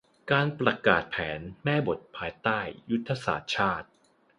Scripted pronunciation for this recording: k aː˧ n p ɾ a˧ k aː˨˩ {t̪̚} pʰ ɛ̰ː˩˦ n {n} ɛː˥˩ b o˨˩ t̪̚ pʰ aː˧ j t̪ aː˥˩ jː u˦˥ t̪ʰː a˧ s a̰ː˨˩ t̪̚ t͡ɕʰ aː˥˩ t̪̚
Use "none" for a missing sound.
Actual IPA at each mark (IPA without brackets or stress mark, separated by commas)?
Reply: t̪̚, m